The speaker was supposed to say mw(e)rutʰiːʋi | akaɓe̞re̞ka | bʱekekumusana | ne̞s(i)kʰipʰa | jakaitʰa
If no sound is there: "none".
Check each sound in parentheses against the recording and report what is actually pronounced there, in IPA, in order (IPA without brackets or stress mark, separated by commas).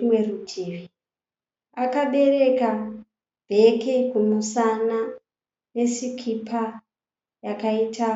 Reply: e, i